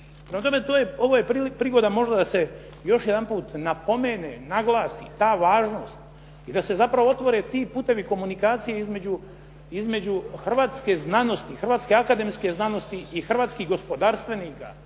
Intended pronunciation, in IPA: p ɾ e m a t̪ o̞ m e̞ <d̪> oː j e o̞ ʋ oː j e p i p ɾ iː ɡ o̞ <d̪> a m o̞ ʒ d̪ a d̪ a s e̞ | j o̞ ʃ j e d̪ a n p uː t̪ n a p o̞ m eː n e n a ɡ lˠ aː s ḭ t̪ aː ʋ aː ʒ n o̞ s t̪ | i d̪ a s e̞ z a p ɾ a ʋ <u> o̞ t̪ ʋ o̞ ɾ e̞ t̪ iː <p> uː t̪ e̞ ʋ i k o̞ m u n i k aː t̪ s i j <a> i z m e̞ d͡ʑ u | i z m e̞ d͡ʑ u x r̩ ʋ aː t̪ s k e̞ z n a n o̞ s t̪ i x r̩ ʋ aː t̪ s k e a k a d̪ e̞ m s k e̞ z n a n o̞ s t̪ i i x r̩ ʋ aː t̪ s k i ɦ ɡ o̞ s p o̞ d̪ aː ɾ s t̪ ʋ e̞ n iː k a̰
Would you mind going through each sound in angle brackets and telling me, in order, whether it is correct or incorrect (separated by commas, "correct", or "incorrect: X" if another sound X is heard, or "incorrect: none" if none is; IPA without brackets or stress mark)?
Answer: incorrect: t̪, correct, incorrect: o, correct, incorrect: e